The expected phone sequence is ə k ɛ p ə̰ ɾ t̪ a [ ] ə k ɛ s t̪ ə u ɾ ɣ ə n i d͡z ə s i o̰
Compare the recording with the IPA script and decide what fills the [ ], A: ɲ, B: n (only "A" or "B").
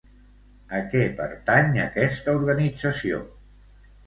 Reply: A